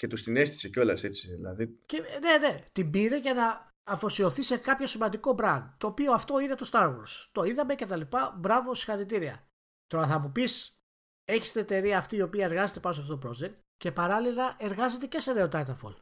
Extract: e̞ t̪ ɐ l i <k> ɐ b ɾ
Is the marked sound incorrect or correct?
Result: incorrect